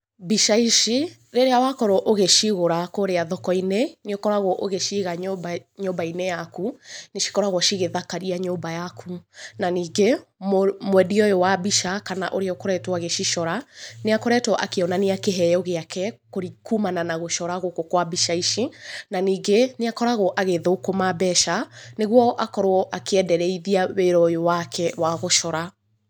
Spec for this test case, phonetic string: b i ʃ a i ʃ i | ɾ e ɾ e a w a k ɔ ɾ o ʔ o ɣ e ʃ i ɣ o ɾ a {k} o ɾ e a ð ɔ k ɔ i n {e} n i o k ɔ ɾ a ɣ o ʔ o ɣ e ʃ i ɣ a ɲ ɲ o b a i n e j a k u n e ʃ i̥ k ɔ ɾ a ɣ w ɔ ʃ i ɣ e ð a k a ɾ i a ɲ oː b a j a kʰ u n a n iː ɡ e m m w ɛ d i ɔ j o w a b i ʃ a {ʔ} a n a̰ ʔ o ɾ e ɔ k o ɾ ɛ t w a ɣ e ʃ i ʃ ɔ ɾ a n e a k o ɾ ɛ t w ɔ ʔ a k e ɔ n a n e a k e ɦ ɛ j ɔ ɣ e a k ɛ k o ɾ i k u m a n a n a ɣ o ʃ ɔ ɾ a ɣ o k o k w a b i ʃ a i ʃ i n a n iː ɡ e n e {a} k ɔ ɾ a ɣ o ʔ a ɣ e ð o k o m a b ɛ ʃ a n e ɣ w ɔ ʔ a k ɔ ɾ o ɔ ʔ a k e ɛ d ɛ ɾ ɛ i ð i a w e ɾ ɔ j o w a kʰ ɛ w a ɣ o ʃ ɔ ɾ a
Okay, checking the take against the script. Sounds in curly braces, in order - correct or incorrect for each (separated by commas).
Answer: correct, correct, incorrect, correct